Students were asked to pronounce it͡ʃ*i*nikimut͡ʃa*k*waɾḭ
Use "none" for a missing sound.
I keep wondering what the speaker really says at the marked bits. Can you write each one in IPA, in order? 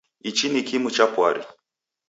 i, p

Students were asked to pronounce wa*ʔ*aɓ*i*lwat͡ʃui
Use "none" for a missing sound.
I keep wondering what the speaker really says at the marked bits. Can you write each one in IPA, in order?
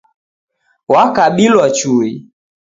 k, i

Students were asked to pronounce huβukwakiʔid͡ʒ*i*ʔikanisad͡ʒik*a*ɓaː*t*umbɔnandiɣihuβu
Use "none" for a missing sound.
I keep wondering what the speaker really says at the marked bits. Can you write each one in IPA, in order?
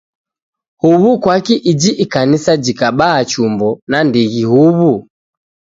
i, a, t͡ʃ

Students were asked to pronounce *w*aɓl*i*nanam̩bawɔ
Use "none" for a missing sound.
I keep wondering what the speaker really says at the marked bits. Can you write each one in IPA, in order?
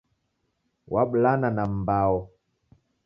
w, a

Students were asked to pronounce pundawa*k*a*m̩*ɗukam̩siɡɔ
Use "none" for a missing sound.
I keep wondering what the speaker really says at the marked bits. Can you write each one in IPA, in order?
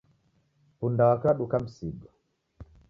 k, none

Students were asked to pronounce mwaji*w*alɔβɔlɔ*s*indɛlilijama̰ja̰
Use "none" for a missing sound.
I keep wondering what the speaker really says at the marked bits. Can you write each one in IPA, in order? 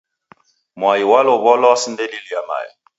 w, s

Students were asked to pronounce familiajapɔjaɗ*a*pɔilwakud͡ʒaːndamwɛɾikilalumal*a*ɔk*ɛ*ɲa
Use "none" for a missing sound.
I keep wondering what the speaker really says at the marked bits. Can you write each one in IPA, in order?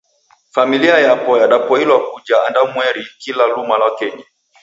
a, a, ɛ

